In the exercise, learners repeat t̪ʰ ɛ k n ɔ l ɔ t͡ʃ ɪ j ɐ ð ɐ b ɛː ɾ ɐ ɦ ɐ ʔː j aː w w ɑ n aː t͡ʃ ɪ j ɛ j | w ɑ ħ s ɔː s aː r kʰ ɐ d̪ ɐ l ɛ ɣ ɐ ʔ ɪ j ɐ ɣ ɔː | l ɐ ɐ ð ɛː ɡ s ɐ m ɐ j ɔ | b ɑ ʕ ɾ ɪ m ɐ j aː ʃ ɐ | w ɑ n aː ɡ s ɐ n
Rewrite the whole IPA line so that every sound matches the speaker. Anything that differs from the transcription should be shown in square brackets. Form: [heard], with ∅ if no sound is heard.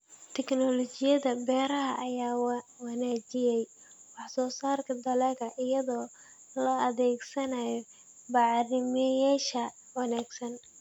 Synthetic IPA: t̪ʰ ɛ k n ɔ l ɔ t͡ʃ ɪ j ɐ ð ɐ b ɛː ɾ ɐ ɦ ɐ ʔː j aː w w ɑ n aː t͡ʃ ɪ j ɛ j | w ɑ ħ s ɔː s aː r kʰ ɐ d̪ ɐ l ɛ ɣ ɐ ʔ ɪ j ɐ [ð] ɔː | l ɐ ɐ ð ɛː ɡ s ɐ [n] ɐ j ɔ | b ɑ ʕ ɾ ɪ m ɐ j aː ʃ ɐ | w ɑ n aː ɡ s ɐ n

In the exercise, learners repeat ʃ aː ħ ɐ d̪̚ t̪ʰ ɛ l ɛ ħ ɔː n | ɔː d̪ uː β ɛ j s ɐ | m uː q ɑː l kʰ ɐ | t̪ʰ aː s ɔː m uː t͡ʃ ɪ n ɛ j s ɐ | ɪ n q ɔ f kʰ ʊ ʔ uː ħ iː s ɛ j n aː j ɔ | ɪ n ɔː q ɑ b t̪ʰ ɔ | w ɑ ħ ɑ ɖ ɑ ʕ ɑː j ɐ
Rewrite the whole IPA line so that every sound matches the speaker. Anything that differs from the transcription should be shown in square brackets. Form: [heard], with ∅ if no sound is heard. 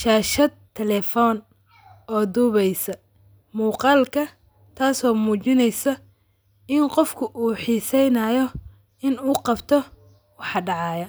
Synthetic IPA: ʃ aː [ʃ] ɐ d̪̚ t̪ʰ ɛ l ɛ [f] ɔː n | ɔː d̪ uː β ɛ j s ɐ | m uː q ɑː l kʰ ɐ | t̪ʰ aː s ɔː m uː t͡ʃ ɪ n ɛ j s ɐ | ɪ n q ɔ f kʰ ʊ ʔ uː ħ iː s ɛ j n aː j ɔ | ɪ n [uː] q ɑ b t̪ʰ ɔ | w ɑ ħ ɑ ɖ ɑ ʕ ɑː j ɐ

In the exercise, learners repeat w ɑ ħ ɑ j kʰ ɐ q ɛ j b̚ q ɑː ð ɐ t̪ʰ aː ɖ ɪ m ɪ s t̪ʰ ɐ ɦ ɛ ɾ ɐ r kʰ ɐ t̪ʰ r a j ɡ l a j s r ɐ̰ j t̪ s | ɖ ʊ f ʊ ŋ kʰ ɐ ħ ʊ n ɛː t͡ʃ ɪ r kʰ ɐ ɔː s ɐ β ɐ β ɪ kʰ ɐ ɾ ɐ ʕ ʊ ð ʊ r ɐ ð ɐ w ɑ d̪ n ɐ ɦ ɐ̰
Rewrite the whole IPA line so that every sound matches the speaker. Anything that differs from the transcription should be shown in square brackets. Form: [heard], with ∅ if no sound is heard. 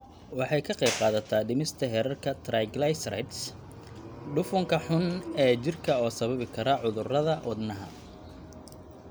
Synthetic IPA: w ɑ ħ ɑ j kʰ ɐ q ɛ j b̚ q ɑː ð ɐ t̪ʰ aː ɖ ɪ m ɪ s t̪ʰ ɐ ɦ ɛ ɾ ɐ r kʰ ɐ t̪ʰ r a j ɡ l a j s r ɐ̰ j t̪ s | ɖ ʊ f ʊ ŋ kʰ ɐ ħ ʊ n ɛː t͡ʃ ɪ r kʰ ɐ ɔː s ɐ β ɐ β ɪ kʰ ɐ ɾ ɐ ʕ ʊ ð ʊ r ɐ ð ɐ w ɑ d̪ n ɐ ɦ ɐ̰

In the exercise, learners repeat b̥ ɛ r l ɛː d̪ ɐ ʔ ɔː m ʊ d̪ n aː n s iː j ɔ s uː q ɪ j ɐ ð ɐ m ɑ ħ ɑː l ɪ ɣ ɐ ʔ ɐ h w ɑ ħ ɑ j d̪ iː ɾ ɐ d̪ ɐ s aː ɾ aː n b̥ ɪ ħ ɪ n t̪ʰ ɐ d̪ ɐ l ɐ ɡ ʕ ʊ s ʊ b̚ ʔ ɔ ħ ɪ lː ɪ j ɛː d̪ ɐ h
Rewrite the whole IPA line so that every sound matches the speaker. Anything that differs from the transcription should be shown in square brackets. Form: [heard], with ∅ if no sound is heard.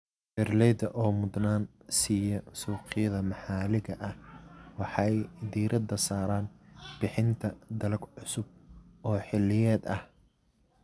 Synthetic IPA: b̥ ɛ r l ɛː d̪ ɐ ʔ ɔː m ʊ d̪ n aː n s iː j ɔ s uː q ɪ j ɐ ð ɐ m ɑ ħ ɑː l ɪ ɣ ɐ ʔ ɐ h w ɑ ħ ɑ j d̪ iː ɾ ɐ d̪ ɐ s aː ɾ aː n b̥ ɪ ħ ɪ n t̪ʰ ɐ d̪ ɐ l ɐ ɡ ʕ ʊ s ʊ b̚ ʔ [ɔː] ħ ɪ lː ɪ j ɛː d̪ ɐ h

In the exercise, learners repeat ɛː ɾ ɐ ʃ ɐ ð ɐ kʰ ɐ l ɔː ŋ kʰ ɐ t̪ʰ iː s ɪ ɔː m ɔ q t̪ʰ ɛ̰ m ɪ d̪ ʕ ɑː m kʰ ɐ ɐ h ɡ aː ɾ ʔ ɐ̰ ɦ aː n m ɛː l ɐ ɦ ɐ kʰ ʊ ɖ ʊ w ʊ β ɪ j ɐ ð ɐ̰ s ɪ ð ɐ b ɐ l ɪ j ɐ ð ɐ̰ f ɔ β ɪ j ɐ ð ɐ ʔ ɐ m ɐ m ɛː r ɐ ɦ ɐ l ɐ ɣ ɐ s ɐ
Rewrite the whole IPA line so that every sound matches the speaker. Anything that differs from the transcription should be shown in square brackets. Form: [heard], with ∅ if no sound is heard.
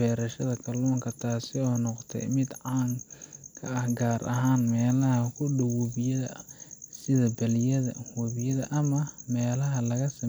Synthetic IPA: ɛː ɾ ɐ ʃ ɐ ð ɐ kʰ ɐ l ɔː ŋ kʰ ɐ t̪ʰ [aː] s ɪ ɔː [n] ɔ q t̪ʰ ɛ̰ m ɪ d̪ ʕ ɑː m kʰ ɐ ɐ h ɡ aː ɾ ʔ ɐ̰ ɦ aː n m ɛː l ɐ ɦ ɐ kʰ ʊ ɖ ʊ w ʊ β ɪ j ɐ ð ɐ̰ s ɪ ð ɐ b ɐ l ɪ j ɐ ð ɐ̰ [h] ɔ β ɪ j ɐ ð ɐ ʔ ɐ m ɐ m ɛː [l] ɐ ɦ ɐ l ɐ ɣ ɐ s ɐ

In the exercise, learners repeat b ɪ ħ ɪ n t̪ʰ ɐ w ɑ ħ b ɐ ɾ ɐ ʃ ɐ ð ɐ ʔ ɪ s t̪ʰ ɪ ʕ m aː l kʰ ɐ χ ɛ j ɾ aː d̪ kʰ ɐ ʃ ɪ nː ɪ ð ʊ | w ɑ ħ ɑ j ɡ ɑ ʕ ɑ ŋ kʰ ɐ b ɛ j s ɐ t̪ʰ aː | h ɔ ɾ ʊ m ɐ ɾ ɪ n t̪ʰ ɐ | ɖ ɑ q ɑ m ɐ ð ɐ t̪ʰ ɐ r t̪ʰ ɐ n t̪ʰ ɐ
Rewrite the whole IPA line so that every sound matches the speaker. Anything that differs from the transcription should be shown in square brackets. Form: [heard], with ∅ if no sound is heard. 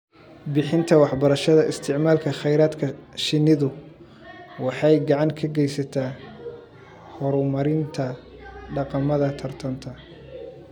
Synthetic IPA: b ɪ ħ ɪ n t̪ʰ ɐ w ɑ ħ b ɐ ɾ ɐ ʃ ɐ ð ɐ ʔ ɪ s t̪ʰ ɪ ʕ m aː l kʰ ɐ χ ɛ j ɾ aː d̪ kʰ ɐ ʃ ɪ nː ɪ ð ʊ | w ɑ ħ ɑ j ɡ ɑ ʕ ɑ ŋ kʰ ɐ [ɡ] ɛ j s ɐ t̪ʰ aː | h ɔ ɾ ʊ m ɐ ɾ ɪ n t̪ʰ ɐ | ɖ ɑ q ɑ m ɐ ð ɐ t̪ʰ ɐ r t̪ʰ ɐ n t̪ʰ ɐ

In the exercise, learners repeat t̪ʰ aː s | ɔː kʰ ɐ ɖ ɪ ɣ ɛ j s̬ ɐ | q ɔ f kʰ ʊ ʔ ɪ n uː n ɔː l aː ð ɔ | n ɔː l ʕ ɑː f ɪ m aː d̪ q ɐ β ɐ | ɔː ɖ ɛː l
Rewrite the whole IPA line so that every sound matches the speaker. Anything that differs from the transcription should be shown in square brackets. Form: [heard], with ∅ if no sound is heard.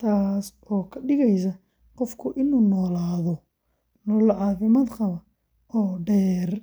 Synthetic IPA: t̪ʰ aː s | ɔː kʰ ɐ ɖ ɪ ɣ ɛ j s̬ ɐ | q ɔ f kʰ ʊ ʔ ɪ n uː n ɔː l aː ð ɔ | n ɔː l ʕ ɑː f ɪ m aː d̪ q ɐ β ɐ | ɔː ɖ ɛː [r]

